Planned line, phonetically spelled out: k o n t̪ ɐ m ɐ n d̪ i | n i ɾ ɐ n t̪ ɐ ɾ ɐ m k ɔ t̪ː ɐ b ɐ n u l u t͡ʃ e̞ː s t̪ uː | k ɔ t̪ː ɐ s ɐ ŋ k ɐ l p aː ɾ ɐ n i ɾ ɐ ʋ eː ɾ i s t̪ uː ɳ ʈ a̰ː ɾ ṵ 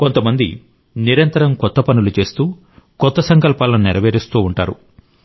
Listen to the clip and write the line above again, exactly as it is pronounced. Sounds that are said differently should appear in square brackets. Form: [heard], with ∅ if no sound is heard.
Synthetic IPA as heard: k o n t̪ ɐ m ɐ n d̪ i | n i ɾ ɐ n t̪ ɐ ɾ ɐ m k ɔ t̪ː ɐ [p] ɐ n u l u t͡ʃ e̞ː s t̪ uː | k ɔ t̪ː ɐ s ɐ ŋ k ɐ l p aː [l] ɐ n i ɾ ɐ ʋ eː ɾ i s t̪ uː ɳ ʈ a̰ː ɾ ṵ